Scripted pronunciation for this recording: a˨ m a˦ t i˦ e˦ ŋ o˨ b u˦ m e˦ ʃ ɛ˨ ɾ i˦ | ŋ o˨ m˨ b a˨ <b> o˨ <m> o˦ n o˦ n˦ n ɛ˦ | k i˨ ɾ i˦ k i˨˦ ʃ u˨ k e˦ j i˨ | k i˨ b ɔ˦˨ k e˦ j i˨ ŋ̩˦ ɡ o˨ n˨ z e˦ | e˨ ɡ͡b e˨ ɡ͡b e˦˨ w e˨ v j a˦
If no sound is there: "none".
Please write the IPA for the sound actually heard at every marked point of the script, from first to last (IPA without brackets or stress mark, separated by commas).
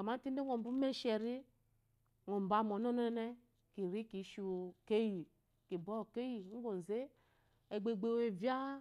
m, n